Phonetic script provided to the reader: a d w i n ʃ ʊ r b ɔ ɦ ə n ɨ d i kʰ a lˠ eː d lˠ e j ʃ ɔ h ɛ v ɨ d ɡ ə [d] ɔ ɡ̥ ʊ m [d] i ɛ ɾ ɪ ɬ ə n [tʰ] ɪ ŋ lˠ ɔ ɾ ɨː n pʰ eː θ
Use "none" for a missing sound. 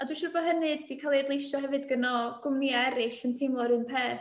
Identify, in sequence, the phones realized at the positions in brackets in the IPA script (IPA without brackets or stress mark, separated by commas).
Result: n, n, tʰ